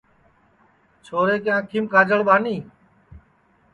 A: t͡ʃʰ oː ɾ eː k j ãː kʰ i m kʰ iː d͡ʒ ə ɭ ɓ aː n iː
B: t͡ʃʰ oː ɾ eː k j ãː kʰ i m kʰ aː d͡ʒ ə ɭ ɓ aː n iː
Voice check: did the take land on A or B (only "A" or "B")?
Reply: B